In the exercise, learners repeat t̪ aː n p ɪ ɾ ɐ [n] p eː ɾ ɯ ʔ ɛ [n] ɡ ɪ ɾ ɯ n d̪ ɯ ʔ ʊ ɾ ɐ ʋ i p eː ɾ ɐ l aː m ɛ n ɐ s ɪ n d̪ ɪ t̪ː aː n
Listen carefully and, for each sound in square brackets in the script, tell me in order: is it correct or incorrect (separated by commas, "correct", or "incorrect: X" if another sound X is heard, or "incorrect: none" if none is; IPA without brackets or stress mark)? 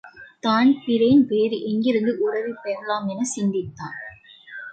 correct, incorrect: ŋ